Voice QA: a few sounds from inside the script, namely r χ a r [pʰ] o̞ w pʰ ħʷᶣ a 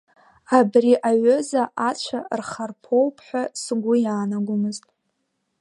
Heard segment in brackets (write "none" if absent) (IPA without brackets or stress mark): pʰ